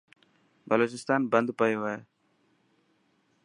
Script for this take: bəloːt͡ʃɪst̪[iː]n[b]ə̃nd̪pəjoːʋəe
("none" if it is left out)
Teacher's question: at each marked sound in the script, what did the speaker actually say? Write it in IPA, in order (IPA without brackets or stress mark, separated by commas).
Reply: aː, b